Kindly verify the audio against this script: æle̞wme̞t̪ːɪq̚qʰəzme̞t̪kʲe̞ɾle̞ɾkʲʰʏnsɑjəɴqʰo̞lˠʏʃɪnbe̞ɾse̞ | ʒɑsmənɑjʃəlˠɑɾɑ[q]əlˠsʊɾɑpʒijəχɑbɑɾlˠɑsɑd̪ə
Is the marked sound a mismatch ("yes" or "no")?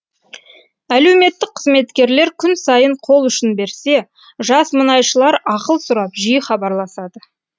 no